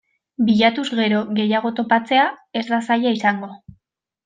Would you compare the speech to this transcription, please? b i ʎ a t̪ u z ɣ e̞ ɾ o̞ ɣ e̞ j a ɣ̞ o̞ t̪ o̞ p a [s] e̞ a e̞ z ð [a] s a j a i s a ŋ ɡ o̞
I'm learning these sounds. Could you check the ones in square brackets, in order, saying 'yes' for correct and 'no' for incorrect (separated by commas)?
no, yes